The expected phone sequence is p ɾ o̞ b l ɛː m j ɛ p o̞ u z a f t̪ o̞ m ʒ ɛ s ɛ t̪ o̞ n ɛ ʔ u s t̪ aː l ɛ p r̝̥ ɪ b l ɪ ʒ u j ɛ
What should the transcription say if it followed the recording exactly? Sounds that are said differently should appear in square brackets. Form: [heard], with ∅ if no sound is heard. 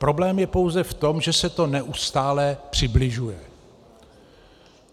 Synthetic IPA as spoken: p ɾ o̞ b l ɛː m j ɛ p o̞ [w] z [ɛ] f t̪ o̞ m ʒ ɛ s ɛ t̪ o̞ n ɛ ʔ u s t̪ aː l ɛ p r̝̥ ɪ b l ɪ ʒ u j ɛ

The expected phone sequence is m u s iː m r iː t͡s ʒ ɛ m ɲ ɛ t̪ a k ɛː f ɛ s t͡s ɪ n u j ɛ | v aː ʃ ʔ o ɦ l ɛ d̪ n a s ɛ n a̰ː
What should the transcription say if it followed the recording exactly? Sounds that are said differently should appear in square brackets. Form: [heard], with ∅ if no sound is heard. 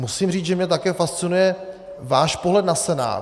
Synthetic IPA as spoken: m u s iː m r iː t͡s ʒ ɛ m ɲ ɛ t̪ a k ɛː f [a] s t͡s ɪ n u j ɛ | v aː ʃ [p] o ɦ l ɛ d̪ n a s ɛ n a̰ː

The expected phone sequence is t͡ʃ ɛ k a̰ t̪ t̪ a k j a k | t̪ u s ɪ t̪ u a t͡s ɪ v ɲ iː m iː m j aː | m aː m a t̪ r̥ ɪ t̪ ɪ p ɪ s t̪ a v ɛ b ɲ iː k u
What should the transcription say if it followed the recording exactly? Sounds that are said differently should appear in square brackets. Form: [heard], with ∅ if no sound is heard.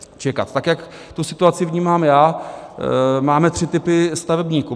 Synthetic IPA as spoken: t͡ʃ ɛ k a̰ t̪ t̪ a k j a k | t̪ u s ɪ t̪ u a t͡s ɪ v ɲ iː m [aː] m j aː | m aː m [ɛ] t̪ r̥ ɪ t̪ ɪ p ɪ s t̪ a v ɛ b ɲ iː k u

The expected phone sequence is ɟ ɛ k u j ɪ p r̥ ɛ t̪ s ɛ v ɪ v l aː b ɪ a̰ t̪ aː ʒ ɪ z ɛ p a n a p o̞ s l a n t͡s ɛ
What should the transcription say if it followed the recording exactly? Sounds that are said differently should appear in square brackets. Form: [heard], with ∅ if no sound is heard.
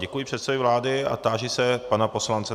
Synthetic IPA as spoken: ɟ ɛ k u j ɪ p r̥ ɛ t̪ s ɛ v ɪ v l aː [d] ɪ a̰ t̪ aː ʒ ɪ [s] ɛ p a n a p o̞ s l a n t͡s ɛ

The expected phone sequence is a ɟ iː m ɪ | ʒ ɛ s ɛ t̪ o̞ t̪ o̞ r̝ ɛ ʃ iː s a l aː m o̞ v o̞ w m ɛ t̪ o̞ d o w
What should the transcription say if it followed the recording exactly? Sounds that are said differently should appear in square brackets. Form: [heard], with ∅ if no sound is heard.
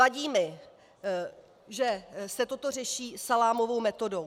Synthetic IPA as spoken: a ɟ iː m ɪ | ʒ ɛ s ɛ t̪ o̞ t̪ o̞ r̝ ɛ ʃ iː s a l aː m o̞ v o̞ w m ɛ t̪ o̞ d o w

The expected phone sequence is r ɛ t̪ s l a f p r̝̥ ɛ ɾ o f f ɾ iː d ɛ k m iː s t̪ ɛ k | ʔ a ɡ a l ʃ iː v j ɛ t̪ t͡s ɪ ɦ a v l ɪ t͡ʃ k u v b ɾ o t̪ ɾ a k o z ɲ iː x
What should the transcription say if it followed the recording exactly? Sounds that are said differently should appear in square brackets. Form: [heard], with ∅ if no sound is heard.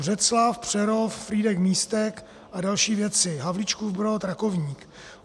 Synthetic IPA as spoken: r ɛ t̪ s l a f p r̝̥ ɛ ɾ o f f ɾ iː d ɛ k m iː s t̪ ɛ k | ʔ a [d] a l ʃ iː v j ɛ [∅] t͡s ɪ ɦ a v l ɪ t͡ʃ k u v b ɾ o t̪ ɾ a k o [v] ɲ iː [k]

